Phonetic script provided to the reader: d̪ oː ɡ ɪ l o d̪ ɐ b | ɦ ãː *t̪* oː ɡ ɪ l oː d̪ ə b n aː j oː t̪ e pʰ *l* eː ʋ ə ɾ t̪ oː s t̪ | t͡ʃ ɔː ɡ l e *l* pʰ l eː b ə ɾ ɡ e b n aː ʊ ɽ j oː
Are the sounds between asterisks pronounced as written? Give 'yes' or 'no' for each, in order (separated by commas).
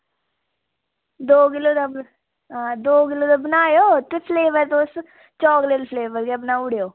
no, yes, yes